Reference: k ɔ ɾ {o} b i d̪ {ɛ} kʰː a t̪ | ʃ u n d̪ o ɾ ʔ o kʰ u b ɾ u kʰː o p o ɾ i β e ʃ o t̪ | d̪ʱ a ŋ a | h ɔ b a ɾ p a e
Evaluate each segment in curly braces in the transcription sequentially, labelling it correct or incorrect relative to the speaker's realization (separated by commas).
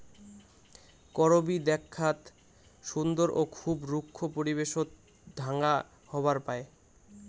correct, correct